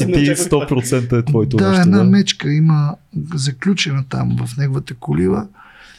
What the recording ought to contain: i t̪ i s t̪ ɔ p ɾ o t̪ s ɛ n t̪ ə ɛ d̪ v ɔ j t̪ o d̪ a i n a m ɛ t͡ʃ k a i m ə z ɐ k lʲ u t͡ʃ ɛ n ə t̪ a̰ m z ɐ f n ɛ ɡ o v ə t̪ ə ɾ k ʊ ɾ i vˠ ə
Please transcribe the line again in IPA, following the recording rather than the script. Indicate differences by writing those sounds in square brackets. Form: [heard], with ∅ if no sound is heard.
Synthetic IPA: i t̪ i s t̪ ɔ p ɾ o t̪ s ɛ n t̪ ə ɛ [t̪] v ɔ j t̪ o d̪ a [ɛ] n a m ɛ t͡ʃ k [ə] i m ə z ɐ k lʲ u t͡ʃ ɛ n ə t̪ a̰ m [v] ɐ f n ɛ ɡ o v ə t̪ ə [∅] k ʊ [l] i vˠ ə